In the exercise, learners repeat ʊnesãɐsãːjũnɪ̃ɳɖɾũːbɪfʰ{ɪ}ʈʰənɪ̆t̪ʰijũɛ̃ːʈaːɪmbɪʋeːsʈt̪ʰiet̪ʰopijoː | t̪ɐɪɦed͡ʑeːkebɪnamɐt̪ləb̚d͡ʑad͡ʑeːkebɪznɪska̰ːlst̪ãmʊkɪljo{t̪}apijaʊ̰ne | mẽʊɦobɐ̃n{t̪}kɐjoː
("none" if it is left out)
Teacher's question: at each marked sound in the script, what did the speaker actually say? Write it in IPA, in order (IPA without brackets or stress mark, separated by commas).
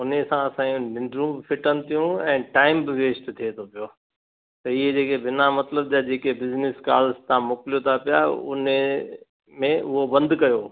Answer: ɪ, t̪ʰ, d̪